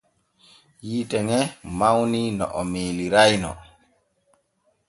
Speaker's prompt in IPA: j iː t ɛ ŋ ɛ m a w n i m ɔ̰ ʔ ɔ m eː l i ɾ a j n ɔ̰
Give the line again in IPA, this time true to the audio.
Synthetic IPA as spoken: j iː t ɛ ŋ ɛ m a w n i n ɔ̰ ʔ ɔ m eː l i ɾ a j n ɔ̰